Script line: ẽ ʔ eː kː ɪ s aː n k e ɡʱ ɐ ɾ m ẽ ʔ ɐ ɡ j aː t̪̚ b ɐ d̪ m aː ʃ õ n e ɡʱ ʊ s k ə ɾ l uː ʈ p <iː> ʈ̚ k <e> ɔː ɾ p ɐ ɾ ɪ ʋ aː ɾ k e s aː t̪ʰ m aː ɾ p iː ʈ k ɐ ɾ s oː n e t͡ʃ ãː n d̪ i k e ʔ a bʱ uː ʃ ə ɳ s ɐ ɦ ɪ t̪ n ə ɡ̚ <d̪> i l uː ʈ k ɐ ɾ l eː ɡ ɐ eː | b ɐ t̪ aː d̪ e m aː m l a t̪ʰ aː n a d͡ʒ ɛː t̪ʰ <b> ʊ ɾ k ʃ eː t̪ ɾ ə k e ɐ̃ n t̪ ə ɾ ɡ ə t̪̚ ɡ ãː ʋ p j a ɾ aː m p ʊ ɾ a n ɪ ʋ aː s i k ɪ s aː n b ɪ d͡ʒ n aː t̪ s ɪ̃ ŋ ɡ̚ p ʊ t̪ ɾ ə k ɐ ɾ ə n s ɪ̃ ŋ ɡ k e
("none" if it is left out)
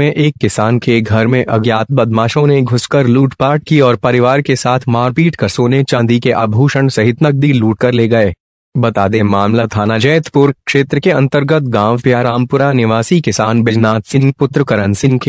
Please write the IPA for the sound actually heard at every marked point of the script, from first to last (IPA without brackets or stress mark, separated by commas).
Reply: aː, i, d̪, p